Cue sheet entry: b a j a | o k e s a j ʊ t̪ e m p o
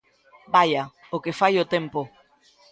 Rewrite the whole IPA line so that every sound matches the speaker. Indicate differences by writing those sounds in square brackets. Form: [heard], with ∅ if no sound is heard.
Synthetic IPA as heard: b a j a | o k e [f] a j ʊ t̪ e m p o